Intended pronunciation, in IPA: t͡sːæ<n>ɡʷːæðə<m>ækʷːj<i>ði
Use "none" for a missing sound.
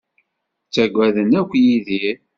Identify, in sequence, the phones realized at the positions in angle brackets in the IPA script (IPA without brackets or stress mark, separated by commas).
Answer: none, n, i